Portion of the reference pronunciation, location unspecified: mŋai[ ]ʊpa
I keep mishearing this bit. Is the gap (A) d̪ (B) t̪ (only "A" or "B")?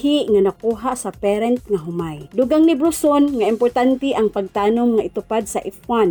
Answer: B